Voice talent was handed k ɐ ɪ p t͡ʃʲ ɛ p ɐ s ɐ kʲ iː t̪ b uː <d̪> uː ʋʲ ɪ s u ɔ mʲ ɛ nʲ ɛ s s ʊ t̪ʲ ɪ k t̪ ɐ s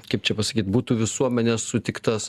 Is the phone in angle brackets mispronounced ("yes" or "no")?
yes